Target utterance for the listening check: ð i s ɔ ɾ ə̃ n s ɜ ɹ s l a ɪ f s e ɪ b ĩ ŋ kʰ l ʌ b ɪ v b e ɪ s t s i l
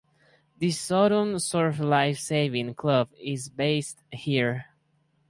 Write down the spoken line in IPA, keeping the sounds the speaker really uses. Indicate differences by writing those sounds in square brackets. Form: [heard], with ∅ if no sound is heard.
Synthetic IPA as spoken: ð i s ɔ ɾ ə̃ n s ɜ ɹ [f] l a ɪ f s e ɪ [v] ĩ ŋ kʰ l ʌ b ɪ [z] b e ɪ s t [h] i [ɹ]